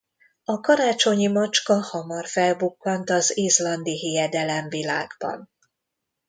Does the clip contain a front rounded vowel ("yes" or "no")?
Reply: no